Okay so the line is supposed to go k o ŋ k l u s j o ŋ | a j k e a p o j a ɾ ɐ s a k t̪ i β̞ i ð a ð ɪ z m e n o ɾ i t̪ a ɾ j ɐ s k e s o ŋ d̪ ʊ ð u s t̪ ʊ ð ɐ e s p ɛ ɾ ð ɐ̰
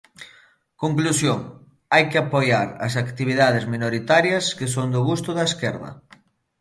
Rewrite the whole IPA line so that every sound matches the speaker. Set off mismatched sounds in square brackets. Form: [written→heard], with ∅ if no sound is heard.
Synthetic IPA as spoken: k o ŋ k l u s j o ŋ | a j k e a p o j a ɾ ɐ s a k t̪ i β̞ i ð a ð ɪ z m [e→i] n o ɾ i t̪ a ɾ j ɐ s k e s o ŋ d̪ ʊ [ð→ɣ] u s t̪ ʊ ð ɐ e s [p→k] ɛ ɾ ð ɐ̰